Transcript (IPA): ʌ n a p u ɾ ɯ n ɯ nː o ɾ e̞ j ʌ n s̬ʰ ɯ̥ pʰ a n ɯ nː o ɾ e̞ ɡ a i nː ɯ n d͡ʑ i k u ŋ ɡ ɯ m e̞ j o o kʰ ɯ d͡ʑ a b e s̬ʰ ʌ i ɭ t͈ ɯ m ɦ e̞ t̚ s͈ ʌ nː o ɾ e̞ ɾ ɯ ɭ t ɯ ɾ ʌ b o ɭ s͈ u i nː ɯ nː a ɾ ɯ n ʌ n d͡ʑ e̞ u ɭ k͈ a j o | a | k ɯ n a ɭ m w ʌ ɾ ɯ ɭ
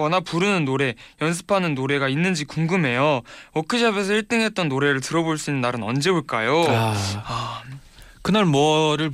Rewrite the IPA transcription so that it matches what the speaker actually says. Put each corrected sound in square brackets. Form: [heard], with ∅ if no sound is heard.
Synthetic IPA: ʌ n a p u ɾ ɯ n ɯ nː o ɾ e̞ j ʌ n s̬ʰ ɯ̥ pʰ a n ɯ nː o ɾ e̞ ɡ a i nː ɯ n d͡ʑ i k u ŋ ɡ ɯ m e̞ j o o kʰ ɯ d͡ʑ a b e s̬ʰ ʌ i ɭ t͈ ɯ [ŋ] ɦ e̞ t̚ [t͈] ʌ nː o ɾ e̞ ɾ ɯ ɭ t ɯ ɾ ʌ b o ɭ s͈ u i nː ɯ nː a ɾ ɯ n ʌ n d͡ʑ e̞ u ɭ k͈ a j o | a | k ɯ n a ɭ m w ʌ ɾ ɯ ɭ